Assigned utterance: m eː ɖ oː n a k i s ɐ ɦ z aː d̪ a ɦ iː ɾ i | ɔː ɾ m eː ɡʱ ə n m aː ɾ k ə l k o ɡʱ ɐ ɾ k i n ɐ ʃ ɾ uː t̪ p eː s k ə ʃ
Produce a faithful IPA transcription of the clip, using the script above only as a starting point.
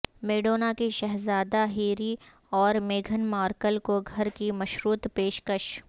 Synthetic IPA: m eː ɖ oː n a k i ʃ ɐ ɦ z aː d̪ a ɦ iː ɾ i | ɔː ɾ m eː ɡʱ ə n m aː ɾ k ə l k o ɡʱ ɐ ɾ k i m ɐ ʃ ɾ uː t̪ p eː ʃ k ə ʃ